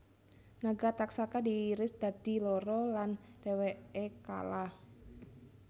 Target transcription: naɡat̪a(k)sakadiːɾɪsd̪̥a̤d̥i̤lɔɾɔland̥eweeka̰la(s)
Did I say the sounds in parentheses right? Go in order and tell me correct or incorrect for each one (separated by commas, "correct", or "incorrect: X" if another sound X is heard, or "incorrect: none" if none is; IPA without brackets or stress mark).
correct, incorrect: h